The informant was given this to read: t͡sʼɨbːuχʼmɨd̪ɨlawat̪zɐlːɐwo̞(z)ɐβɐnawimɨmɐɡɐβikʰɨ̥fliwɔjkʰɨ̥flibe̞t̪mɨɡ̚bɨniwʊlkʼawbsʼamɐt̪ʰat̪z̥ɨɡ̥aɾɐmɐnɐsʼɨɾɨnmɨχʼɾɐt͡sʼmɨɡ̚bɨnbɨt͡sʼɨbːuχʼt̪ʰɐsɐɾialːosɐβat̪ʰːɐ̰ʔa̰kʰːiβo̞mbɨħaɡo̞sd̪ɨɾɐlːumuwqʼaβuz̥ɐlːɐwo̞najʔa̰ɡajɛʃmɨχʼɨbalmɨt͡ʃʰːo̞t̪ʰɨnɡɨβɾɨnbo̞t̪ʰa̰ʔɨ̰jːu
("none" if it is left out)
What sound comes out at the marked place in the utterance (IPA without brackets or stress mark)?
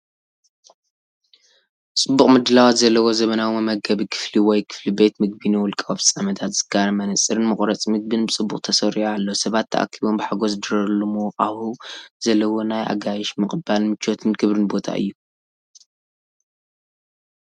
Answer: z